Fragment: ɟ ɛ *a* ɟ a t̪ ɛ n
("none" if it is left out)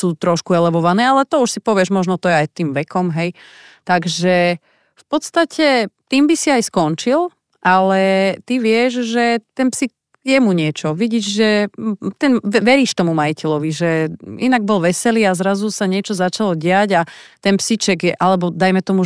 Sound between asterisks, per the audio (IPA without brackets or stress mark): a